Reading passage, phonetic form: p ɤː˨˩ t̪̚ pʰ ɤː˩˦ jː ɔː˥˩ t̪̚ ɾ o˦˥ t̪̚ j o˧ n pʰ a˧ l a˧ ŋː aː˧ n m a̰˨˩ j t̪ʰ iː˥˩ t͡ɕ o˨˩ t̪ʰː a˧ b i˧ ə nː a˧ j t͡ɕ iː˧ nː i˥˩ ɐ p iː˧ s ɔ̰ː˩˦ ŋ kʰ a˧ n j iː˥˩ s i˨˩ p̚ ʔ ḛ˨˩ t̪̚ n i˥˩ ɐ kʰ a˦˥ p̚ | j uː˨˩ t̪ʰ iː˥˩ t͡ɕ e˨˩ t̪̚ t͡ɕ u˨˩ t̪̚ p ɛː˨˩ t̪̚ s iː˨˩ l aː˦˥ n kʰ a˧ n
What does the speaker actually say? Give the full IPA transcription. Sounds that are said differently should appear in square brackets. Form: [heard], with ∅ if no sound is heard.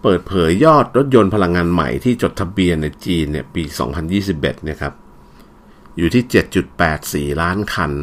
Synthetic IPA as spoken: p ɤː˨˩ t̪̚ pʰ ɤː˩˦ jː ɔː˥˩ t̪̚ ɾ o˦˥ t̪̚ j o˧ n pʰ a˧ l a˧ ŋː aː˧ n m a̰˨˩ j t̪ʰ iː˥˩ t͡ɕ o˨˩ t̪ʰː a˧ b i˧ ə nː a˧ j t͡ɕ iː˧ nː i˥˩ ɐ p iː˧ s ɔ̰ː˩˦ ŋ [pʰ] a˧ n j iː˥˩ s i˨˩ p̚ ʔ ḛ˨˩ t̪̚ n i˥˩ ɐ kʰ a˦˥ p̚ | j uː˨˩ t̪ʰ iː˥˩ t͡ɕ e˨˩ t̪̚ t͡ɕ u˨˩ t̪̚ p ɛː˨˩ t̪̚ s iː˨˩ l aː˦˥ n kʰ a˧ n